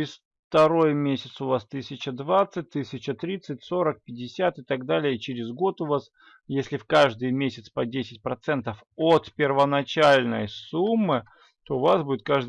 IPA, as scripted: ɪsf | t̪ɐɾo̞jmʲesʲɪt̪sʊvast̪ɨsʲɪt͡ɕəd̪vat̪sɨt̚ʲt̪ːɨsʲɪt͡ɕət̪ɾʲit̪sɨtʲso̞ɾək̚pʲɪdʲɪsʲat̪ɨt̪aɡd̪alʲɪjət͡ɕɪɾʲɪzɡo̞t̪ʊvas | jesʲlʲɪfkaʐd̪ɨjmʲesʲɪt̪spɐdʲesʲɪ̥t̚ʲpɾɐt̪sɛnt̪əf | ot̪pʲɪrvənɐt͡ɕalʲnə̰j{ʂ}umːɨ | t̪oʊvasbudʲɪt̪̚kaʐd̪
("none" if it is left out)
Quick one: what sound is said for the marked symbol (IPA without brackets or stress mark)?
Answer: s